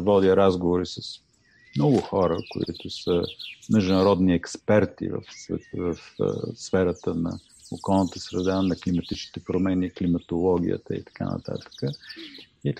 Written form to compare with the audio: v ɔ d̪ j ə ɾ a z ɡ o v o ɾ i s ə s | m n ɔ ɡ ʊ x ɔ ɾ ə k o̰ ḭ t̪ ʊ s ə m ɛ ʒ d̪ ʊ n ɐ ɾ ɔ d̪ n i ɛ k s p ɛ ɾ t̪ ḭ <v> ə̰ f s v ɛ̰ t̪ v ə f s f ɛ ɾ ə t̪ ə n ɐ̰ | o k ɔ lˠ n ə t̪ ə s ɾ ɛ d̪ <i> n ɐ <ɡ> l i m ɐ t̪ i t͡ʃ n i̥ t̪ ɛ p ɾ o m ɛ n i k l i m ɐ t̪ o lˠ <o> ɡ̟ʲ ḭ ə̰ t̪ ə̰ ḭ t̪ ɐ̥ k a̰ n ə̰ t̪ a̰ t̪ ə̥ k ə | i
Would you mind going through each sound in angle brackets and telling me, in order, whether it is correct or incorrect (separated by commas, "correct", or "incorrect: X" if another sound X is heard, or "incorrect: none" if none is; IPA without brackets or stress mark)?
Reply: correct, incorrect: a, incorrect: k, incorrect: ɔ